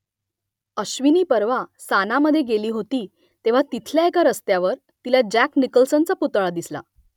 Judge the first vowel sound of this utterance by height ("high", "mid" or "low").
mid